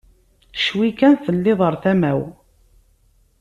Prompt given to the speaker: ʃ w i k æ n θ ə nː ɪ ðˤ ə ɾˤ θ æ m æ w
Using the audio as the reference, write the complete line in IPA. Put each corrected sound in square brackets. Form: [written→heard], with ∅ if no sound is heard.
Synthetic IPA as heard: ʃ w i k æ n θ ə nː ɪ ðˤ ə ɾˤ θ æ m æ w